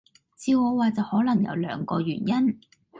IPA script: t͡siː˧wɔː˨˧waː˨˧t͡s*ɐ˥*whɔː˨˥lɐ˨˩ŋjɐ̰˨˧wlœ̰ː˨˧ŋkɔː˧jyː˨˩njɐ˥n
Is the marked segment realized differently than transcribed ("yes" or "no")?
yes